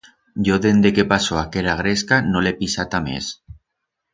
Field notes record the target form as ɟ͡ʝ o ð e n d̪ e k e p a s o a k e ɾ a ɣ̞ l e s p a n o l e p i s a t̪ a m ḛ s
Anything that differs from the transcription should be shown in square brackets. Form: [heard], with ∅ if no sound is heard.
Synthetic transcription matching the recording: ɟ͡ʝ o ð e n d̪ e k e p a s o a k e ɾ a ɣ̞ [ɾ] e s [k] a n o l e p i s a t̪ a m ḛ s